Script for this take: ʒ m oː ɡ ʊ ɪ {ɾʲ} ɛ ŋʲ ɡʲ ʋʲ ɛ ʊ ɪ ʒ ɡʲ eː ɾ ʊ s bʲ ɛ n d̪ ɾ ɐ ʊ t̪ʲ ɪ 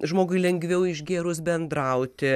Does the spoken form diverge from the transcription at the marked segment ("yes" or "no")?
yes